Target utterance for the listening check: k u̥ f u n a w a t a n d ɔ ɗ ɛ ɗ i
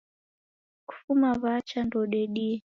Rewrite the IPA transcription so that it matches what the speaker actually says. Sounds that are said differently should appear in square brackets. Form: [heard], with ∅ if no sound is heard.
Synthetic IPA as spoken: k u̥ f u [m] a [β] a [t͡ʃ] a n d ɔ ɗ ɛ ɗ i